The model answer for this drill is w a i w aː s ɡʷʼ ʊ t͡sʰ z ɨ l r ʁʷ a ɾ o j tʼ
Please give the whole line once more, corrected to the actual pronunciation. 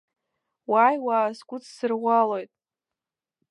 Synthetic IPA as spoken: w a j w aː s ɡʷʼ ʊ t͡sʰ s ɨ r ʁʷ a l o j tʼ